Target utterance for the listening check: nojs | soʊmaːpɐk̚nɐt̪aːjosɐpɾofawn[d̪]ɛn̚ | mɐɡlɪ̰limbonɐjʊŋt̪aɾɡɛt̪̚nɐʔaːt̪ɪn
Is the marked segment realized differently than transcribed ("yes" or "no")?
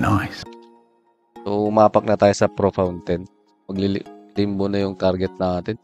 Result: yes